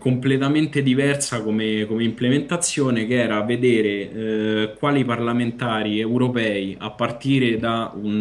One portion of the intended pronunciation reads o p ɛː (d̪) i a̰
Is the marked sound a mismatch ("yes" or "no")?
yes